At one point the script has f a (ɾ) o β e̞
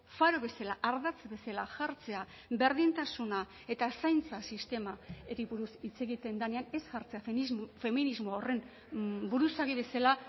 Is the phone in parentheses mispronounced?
no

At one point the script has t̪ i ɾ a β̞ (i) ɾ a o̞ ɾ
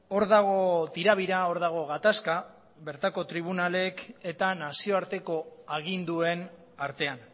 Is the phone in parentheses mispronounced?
no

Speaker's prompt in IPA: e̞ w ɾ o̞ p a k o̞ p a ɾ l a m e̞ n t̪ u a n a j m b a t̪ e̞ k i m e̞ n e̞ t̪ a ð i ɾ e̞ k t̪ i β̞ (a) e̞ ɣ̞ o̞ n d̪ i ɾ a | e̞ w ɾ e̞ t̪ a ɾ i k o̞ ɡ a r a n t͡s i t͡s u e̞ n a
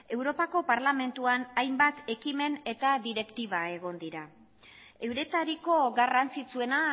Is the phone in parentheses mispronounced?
no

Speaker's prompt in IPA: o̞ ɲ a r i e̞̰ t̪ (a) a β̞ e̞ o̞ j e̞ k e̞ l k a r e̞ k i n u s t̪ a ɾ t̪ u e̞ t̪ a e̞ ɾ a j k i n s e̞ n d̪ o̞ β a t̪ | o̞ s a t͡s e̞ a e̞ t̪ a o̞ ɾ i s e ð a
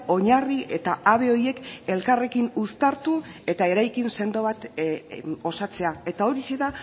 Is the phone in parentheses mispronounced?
no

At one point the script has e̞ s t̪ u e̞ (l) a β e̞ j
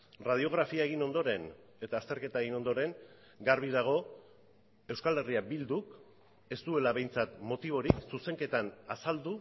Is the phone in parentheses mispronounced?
no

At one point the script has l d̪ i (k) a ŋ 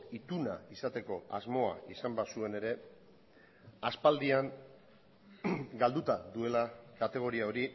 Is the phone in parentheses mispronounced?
yes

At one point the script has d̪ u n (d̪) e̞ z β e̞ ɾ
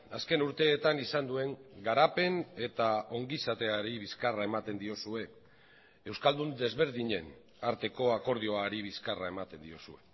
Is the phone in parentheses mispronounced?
no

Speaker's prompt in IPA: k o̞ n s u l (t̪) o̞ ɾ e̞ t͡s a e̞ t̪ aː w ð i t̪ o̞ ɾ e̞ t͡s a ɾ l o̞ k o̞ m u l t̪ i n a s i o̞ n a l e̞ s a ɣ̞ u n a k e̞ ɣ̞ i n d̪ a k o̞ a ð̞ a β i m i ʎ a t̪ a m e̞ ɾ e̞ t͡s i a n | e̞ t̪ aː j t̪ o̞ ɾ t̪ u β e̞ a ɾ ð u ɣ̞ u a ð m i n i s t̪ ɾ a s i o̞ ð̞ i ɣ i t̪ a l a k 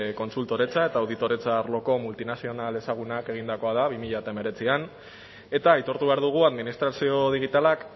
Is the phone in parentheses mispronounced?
no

